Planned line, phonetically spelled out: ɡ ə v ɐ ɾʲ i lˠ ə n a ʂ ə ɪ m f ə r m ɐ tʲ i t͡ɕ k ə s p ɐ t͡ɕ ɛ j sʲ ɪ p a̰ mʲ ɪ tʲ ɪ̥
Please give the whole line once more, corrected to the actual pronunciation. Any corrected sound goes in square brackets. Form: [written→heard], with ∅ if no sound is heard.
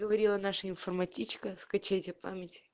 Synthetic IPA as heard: ɡ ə v ɐ ɾʲ i lˠ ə n a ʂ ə ɪ [m→n] f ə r m ɐ tʲ i t͡ɕ k ə s [p→k] ɐ t͡ɕ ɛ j [sʲ→tʲ] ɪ p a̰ mʲ ɪ tʲ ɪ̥